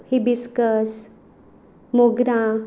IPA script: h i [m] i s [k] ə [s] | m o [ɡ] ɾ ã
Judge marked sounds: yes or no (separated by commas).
no, yes, yes, yes